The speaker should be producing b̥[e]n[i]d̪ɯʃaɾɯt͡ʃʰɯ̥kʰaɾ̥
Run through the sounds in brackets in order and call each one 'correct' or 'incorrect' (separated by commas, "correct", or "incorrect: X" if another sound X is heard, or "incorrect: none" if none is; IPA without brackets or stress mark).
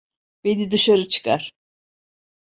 correct, correct